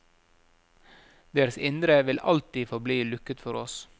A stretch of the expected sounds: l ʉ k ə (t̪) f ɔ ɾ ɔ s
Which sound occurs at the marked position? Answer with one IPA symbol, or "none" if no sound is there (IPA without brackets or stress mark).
t̪